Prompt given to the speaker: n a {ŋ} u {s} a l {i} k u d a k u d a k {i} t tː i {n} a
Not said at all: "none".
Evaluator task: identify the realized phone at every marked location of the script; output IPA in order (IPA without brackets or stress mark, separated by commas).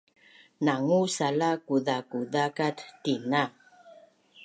ŋ, s, a, a, n